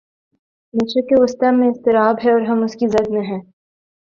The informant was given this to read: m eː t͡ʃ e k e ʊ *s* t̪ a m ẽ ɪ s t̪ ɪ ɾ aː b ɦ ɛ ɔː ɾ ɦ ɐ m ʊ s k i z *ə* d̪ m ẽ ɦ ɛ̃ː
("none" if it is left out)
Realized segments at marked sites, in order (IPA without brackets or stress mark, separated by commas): s, ɐ